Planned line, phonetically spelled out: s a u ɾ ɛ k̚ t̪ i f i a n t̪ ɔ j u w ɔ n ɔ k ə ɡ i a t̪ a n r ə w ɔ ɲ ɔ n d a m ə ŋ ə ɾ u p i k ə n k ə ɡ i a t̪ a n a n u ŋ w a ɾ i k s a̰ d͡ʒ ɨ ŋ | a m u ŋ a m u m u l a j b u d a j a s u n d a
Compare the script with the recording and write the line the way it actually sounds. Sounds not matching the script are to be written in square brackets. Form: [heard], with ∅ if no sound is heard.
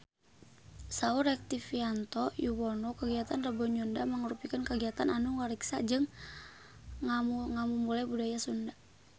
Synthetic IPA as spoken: s a u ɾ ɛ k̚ t̪ i f i a n t̪ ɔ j u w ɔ n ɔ k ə ɡ i a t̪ a n r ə [b] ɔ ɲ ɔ n d a m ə ŋ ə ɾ u p i k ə n k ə ɡ i a t̪ a n a n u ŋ w a ɾ i k s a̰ d͡ʒ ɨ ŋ | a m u ŋ a m u m u l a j b u d a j a s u n d a